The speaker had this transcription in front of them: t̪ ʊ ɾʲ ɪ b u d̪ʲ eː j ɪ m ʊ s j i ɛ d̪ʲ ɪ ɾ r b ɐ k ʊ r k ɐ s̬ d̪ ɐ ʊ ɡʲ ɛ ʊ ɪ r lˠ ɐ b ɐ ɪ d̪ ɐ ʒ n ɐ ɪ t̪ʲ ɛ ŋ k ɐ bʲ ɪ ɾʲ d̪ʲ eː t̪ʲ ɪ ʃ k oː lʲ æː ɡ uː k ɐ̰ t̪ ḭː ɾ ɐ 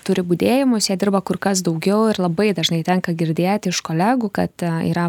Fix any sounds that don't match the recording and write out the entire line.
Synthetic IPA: t̪ ʊ ɾʲ ɪ b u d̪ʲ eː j ɪ m ʊ s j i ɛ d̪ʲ ɪ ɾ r b ɐ k ʊ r k ɐ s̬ d̪ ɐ ʊ ɡʲ ɛ ʊ ɪ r lˠ ɐ b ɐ ɪ d̪ ɐ ʒ n ɐ ɪ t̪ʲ ɛ ŋ k ɐ ɡʲ ɪ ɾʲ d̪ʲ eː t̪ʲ ɪ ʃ k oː lʲ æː ɡ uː k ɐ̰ t̪ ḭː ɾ ɐ